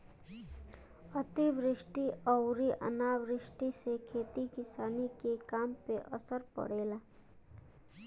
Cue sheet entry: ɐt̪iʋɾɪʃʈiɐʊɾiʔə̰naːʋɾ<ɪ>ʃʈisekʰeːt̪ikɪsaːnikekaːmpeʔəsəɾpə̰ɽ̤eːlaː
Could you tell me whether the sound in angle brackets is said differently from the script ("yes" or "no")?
no